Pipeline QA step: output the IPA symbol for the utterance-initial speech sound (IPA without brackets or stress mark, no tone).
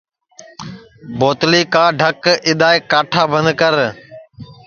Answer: b